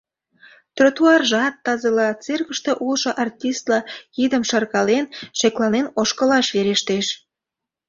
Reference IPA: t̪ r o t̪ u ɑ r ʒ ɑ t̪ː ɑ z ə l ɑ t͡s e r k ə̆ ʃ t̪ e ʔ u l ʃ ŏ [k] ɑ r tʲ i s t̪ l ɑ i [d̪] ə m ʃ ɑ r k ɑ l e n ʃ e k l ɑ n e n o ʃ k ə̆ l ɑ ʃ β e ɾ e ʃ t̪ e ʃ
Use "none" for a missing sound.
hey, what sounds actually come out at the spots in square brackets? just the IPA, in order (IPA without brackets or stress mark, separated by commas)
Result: ʔ, d̪